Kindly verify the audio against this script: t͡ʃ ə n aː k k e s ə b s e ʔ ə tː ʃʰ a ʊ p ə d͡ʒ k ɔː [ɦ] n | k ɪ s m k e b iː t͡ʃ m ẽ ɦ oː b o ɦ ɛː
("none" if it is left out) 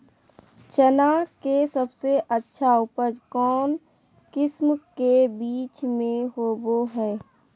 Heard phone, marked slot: none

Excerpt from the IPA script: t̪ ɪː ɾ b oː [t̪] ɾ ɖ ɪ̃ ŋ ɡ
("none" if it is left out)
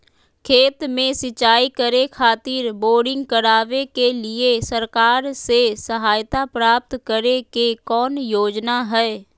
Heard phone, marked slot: none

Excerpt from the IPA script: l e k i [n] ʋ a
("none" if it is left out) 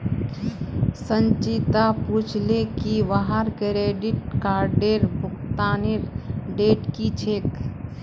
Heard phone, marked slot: none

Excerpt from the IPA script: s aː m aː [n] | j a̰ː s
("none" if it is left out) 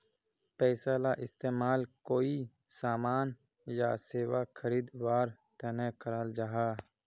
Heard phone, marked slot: n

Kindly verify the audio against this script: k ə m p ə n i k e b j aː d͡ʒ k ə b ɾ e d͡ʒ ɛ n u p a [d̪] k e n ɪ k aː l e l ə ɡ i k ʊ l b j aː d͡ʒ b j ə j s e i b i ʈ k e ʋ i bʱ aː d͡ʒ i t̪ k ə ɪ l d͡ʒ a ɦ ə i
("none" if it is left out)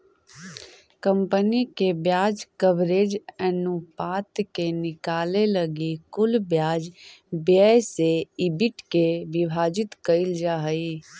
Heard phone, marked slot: t̪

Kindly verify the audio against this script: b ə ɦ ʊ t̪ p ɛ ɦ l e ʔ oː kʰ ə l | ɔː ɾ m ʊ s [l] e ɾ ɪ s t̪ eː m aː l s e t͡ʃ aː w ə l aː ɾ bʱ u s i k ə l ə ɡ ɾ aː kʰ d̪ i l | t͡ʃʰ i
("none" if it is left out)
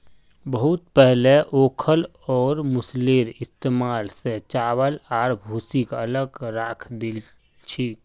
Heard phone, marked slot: l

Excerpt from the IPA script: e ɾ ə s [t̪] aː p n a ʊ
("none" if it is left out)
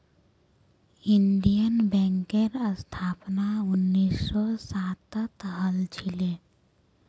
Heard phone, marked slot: t̪ʰ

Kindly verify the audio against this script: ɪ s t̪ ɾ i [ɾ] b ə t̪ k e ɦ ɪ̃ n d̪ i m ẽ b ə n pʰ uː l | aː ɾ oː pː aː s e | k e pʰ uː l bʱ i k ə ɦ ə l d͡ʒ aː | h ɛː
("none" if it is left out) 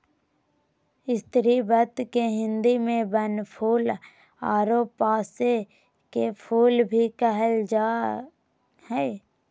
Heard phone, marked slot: none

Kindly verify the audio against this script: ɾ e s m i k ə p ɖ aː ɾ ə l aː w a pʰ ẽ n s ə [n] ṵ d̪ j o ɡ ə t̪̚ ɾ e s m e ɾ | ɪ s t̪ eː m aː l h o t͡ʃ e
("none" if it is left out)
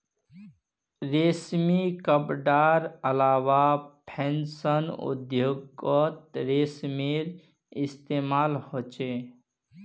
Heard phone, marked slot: n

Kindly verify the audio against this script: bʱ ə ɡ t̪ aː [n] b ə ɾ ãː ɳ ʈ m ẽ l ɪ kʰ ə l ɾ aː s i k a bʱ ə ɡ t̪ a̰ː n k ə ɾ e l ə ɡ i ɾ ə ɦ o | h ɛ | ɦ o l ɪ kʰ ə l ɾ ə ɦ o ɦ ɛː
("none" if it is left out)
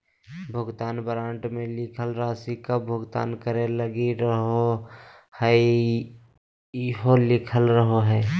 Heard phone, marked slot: n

